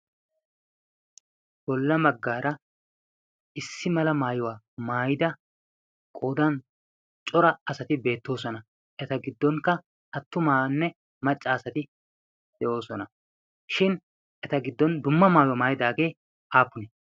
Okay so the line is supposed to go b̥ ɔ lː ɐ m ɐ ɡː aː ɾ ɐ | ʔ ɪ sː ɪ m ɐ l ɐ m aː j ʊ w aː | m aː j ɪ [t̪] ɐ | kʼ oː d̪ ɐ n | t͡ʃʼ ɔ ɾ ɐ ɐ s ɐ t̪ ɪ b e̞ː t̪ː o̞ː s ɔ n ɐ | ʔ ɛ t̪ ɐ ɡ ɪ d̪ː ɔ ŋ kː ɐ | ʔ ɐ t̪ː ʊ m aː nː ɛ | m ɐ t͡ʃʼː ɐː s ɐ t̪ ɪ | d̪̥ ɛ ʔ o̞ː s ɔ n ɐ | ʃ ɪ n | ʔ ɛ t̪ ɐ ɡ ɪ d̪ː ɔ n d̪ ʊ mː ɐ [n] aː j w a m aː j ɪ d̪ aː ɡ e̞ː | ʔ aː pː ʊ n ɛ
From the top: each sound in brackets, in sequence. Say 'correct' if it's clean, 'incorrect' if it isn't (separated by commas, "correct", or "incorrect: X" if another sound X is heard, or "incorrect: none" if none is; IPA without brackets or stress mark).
incorrect: d̪, incorrect: m